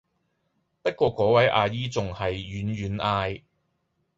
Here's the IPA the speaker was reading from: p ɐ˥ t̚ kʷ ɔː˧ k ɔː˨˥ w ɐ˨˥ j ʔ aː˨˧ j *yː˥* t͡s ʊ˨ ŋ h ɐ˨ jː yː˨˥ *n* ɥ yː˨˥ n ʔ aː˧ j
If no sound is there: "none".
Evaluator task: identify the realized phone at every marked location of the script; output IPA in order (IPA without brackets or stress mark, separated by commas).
iː˥, n